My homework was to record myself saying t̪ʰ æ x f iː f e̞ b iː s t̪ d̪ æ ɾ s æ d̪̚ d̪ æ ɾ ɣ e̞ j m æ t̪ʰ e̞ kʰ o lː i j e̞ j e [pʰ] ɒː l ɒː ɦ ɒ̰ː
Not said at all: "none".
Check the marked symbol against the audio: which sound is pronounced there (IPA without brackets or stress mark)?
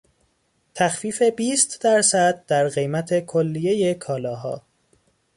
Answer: kʰ